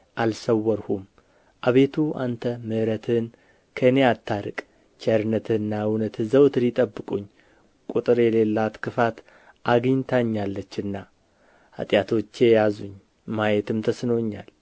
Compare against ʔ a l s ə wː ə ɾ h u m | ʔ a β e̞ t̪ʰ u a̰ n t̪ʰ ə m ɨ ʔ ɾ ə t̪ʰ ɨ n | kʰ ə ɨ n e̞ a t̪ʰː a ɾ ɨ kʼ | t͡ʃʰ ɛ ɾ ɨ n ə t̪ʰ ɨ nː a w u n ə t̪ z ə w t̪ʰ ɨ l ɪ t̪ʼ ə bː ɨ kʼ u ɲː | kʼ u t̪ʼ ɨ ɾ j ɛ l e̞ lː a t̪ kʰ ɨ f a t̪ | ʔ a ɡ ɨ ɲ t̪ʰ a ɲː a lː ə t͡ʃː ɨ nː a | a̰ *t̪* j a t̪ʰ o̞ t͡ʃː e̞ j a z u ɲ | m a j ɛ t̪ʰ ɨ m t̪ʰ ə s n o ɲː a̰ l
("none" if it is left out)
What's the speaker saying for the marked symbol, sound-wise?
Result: t̪ʼ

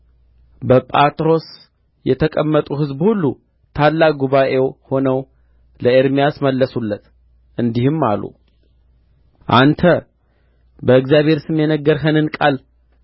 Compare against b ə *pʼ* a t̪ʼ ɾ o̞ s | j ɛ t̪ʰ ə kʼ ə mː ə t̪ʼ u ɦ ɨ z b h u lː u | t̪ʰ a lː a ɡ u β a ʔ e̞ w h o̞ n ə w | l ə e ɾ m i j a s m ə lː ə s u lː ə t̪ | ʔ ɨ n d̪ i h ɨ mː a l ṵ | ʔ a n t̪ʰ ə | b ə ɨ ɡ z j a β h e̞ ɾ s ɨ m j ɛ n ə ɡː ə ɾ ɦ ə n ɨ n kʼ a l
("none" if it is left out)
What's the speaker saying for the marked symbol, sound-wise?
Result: pʼ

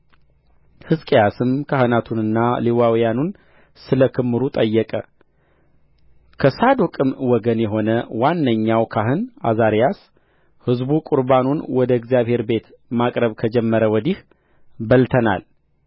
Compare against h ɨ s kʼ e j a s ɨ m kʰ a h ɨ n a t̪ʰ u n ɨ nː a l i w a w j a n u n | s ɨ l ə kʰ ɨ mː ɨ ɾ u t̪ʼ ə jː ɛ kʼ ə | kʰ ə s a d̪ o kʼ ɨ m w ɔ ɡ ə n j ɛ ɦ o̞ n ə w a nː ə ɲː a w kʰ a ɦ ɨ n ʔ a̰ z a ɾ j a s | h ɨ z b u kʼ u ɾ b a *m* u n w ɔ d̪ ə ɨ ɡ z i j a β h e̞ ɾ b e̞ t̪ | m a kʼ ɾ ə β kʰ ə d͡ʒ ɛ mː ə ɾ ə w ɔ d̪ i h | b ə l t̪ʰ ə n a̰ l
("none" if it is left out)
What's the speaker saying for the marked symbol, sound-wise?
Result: n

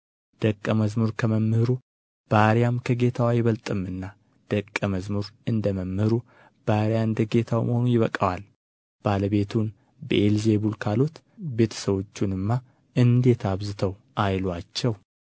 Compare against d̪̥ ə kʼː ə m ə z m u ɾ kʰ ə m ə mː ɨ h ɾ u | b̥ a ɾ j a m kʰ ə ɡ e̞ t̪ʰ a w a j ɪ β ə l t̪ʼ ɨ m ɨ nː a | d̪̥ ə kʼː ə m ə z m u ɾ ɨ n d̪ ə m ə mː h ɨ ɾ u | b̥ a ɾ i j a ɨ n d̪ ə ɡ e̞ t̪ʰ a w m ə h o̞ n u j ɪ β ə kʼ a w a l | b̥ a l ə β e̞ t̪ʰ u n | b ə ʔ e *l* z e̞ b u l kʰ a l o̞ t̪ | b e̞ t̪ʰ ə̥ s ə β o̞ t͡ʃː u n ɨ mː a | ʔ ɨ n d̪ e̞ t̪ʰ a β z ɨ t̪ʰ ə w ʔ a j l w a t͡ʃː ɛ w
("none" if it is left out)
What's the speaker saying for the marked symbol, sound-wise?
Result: l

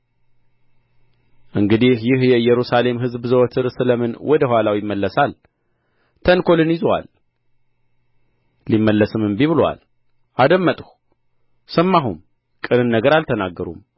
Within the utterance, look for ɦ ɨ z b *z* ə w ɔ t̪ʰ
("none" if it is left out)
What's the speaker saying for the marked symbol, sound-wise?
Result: z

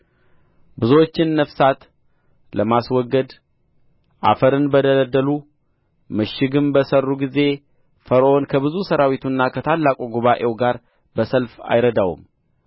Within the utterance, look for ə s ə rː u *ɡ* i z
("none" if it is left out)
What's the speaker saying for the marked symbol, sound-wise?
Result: ɡ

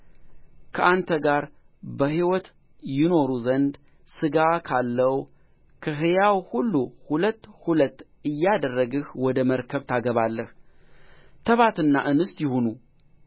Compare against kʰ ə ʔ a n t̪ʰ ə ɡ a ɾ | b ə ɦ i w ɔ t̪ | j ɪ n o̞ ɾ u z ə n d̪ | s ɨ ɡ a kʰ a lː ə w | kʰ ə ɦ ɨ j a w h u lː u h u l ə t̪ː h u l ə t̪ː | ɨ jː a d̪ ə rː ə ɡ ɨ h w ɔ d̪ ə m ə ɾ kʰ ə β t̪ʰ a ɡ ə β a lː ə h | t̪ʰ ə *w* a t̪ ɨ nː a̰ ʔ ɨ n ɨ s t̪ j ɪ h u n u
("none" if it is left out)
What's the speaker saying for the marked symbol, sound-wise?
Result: β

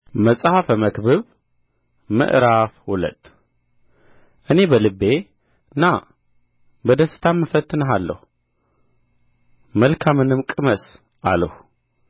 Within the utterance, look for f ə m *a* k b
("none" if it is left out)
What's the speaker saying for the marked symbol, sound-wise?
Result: ə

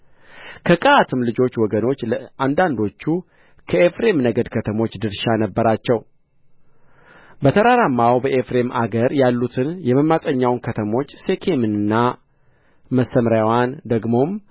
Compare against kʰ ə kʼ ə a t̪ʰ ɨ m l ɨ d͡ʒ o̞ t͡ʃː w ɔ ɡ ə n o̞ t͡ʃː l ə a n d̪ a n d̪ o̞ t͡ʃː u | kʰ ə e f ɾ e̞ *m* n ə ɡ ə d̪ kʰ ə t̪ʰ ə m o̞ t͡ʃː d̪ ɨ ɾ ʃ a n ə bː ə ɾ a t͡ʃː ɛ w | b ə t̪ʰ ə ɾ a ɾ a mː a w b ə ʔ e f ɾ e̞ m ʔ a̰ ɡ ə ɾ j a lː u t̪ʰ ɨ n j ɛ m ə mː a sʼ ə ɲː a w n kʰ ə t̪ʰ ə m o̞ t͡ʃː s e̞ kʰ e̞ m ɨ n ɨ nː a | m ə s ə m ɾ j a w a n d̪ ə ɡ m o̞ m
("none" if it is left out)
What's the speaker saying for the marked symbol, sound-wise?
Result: m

